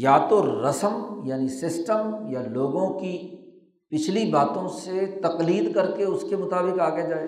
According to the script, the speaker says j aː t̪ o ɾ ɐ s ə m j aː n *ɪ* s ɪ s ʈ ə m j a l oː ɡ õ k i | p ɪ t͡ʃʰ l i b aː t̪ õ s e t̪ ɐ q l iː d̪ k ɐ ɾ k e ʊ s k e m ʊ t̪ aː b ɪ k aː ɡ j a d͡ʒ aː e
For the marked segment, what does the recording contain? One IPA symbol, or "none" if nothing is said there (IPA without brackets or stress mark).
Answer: i